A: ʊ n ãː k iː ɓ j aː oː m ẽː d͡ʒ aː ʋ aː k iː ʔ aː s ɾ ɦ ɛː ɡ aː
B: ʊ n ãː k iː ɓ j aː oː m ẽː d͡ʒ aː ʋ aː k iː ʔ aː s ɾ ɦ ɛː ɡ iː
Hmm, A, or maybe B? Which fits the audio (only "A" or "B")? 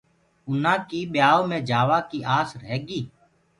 B